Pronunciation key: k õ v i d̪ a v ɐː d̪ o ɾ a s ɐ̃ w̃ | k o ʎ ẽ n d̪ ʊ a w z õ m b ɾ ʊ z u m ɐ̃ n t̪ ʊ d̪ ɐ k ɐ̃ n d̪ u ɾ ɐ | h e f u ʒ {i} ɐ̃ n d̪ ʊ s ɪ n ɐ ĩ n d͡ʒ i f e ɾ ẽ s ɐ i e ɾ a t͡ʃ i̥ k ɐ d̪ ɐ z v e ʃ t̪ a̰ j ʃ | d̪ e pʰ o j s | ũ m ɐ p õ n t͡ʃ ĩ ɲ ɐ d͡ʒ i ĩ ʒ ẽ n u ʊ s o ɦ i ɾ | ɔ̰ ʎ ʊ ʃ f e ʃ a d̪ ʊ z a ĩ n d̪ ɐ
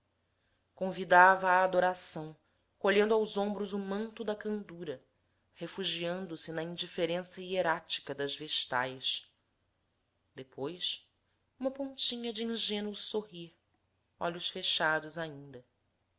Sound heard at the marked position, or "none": i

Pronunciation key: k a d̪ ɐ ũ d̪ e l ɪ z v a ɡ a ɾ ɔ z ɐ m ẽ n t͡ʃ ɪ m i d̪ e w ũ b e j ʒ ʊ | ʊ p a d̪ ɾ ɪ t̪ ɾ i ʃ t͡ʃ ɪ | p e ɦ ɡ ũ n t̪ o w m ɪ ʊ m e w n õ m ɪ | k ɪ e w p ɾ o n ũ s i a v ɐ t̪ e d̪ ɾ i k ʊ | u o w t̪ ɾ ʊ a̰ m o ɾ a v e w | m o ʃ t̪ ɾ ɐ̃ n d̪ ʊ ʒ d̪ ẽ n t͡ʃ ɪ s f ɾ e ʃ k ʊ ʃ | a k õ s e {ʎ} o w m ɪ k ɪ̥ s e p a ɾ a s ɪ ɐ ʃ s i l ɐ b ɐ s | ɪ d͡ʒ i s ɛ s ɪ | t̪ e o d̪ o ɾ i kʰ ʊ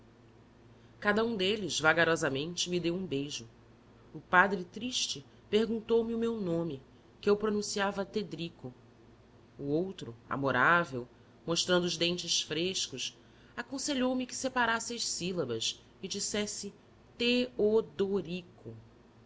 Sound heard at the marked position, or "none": ʎ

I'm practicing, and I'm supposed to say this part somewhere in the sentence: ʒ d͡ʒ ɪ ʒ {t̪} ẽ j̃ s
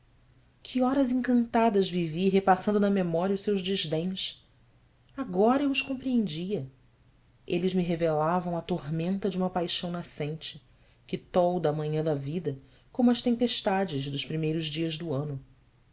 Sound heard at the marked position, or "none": d̪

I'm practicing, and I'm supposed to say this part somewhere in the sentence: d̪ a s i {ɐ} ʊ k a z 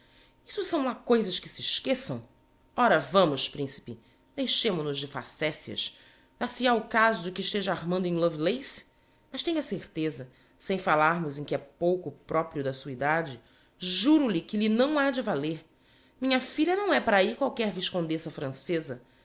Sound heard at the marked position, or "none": a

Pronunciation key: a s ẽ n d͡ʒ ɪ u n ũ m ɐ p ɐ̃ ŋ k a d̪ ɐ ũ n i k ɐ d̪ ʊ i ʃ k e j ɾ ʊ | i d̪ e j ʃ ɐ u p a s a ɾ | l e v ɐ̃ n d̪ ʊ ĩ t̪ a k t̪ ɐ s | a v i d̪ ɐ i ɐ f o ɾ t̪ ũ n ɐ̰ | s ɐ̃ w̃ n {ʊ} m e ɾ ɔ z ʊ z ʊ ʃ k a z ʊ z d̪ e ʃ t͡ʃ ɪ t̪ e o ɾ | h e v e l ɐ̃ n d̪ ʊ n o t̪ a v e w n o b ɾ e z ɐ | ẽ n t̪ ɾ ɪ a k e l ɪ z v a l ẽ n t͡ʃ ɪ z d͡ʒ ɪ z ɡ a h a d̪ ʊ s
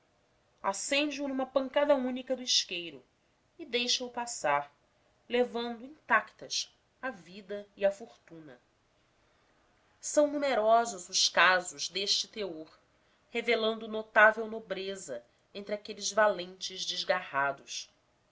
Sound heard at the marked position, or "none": u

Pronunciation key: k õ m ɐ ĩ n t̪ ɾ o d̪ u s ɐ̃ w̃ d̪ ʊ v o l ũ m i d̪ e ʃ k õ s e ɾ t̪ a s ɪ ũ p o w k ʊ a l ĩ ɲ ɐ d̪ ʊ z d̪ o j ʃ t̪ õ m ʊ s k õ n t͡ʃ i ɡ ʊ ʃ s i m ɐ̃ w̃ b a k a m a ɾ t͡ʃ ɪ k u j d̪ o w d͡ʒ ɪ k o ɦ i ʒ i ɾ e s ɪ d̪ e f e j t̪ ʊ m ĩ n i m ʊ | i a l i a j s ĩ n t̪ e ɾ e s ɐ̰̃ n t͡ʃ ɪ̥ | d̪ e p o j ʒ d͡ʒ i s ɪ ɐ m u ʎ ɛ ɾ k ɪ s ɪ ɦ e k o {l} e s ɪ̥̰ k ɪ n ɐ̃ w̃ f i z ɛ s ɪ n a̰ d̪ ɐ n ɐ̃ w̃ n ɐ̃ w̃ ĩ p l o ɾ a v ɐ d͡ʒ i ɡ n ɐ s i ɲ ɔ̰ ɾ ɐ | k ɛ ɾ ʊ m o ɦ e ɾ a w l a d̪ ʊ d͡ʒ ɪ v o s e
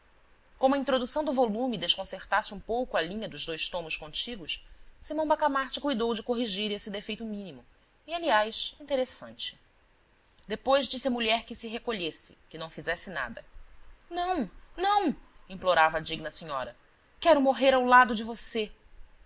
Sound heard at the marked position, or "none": ʎ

